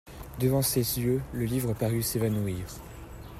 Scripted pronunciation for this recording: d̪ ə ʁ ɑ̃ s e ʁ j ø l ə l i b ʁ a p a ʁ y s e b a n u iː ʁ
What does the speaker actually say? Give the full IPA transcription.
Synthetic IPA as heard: d̪ ə v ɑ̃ s e z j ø l ə l i v ʁ ə p a ʁ y s e v a n u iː ʁ